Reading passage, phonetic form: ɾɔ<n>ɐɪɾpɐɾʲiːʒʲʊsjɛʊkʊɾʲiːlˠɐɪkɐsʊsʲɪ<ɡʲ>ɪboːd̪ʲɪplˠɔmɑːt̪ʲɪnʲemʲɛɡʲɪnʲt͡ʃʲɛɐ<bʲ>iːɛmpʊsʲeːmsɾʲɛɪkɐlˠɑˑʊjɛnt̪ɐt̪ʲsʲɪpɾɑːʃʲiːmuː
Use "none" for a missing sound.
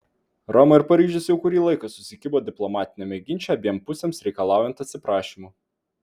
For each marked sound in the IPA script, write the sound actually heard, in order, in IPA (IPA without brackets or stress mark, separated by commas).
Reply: m, kʲ, bʲ